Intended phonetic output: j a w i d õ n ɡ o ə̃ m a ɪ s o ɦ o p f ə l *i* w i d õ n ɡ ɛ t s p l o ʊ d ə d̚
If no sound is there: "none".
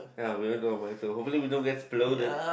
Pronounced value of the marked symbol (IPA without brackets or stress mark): i